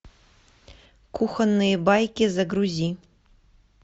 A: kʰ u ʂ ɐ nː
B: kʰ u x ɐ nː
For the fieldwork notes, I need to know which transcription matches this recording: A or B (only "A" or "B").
B